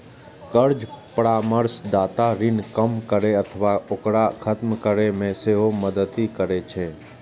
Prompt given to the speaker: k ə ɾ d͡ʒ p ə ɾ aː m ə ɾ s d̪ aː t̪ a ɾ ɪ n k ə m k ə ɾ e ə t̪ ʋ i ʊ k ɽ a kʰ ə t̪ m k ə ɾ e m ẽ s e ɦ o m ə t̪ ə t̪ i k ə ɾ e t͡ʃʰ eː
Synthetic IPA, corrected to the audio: k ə ɾ d͡ʒ p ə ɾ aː m ə ɾ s d̪ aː t̪ a ɾ ɪ n k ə m k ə ɾ e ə t̪ʰ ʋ a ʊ k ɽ a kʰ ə t̪ m k ə ɾ e m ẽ s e ɦ o m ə d̪ ə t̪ i k ə ɾ e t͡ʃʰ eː